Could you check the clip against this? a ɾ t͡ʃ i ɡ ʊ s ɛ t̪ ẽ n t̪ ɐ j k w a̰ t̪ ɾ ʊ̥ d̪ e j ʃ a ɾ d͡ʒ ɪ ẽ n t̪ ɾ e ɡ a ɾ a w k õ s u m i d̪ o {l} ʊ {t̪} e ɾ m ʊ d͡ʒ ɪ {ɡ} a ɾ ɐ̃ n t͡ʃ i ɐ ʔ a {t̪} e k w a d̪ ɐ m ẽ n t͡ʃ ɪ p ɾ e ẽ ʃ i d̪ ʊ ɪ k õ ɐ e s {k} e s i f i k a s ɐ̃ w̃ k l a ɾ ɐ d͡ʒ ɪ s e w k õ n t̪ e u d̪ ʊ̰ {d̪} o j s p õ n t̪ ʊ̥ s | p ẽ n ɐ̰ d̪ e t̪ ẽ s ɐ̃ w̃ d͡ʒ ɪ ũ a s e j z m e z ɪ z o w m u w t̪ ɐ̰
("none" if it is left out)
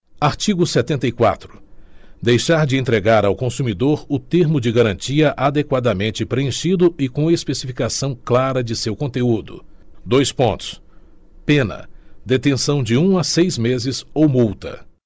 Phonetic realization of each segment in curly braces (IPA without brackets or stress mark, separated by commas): ɾ, t̪, ɡ, d̪, p, d̪